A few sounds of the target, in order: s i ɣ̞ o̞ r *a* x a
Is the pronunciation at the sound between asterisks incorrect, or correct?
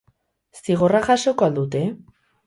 correct